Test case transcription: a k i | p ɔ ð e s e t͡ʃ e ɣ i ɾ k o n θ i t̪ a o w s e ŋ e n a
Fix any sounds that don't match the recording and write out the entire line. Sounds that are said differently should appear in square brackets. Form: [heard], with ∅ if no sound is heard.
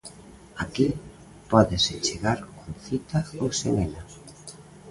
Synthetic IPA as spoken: a k i | p ɔ ð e s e t͡ʃ e ɣ [a] ɾ k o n θ i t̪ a o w s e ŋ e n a